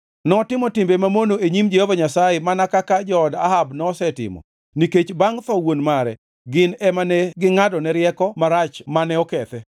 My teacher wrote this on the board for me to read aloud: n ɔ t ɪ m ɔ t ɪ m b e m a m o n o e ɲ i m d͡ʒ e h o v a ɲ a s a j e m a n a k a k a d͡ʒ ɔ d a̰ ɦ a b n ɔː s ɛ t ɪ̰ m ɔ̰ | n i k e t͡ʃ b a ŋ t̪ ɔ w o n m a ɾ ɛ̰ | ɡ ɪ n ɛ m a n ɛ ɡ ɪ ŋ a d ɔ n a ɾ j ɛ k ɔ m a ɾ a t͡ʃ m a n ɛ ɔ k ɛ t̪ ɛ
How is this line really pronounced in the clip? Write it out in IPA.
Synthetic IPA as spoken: n ɔ t ɪ m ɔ t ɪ m b e m a m o n o e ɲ i m d͡ʒ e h o v a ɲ a s a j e m a n a k a k a d͡ʒ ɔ d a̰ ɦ a b n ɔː s ɛ t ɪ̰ m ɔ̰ | n i k e t͡ʃ b a ŋ t̪ ɔ w o n m a ɾ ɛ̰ | ɡ ɪ n ɛ m a n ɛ ɡ ɪ ŋ a d ɔ n ɛ ɾ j ɛ k ɔ m a ɾ a t͡ʃ m a n ɛ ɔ k ɛ t̪ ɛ